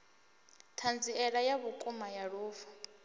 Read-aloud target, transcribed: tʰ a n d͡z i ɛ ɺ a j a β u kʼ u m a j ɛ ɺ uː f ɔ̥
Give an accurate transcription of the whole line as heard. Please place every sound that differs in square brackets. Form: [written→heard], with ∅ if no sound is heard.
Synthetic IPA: tʰ a n d͡z i ɛ ɺ a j a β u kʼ u m a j [ɛ→a] ɺ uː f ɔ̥